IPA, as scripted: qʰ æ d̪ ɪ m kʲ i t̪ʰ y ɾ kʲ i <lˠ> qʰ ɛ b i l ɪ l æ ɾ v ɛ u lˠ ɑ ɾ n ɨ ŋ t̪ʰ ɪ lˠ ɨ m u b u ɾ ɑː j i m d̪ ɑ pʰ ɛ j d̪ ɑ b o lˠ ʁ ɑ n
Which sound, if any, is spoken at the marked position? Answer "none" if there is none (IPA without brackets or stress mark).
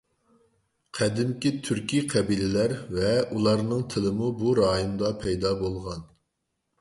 none